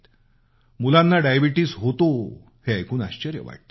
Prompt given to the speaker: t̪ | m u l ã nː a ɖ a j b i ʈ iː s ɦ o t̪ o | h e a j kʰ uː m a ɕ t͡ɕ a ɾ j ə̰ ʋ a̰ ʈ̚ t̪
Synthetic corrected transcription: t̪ | m u l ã nː a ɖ a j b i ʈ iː s ɦ o t̪ o | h e a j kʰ uː n a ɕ t͡ɕ ə ɾ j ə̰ ʋ a̰ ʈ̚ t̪